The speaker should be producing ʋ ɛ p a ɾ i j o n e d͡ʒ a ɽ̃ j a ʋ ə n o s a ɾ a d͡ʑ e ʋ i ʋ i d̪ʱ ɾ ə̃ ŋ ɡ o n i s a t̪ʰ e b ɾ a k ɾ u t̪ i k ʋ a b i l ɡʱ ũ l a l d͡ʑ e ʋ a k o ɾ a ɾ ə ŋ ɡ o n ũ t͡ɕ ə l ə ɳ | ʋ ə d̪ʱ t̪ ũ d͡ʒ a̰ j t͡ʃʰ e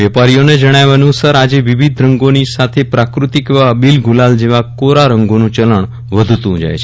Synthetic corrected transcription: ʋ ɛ p a ɾ i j o n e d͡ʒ ə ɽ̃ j a ʋ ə n u s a ɾ a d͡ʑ e ʋ i ʋ i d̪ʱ ɾ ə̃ ŋ ɡ o n i s a t̪ʰ e p ɾ a k ɾ u t̪ i k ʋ a b i l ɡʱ u l a l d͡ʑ e ʋ a k o ɾ a ɾ ə ŋ ɡ o n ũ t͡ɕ ə l ə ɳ | ʋ ə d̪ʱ t̪ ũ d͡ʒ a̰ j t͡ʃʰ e